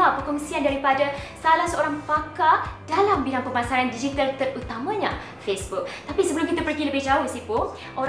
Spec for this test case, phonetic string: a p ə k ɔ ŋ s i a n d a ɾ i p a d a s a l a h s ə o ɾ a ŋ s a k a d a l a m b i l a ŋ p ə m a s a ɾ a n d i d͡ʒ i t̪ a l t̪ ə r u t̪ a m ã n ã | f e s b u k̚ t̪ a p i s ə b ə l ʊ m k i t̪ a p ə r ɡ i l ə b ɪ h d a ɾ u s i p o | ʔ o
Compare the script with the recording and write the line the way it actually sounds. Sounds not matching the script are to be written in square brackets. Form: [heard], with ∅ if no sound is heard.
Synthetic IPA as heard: a p ə k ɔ ŋ s i a n d a ɾ i p a d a s a l a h s ə o ɾ a ŋ [f] a k a d a l a m b i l a ŋ p ə m a s a ɾ a n d i d͡ʒ i t̪ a l t̪ ə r u t̪ a m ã [ɲ] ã | f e s b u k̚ t̪ a p i s ə b ə l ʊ m k i t̪ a p ə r ɡ i l ə b ɪ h [d͡ʒ] a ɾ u s i p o | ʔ o